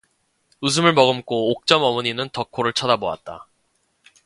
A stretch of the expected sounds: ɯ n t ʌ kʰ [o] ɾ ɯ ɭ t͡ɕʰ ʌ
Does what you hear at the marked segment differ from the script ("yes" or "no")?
no